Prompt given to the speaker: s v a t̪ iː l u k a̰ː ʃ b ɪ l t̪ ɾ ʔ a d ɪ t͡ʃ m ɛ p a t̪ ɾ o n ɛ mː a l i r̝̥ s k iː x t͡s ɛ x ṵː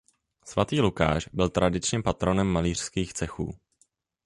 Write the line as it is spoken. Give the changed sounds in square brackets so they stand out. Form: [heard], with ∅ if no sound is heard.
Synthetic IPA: s v a t̪ iː l u k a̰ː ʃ b ɪ l t̪ ɾ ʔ a d ɪ t͡ʃ [ɲ] ɛ p a t̪ ɾ o n ɛ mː a l [iː] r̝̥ s k iː x t͡s ɛ x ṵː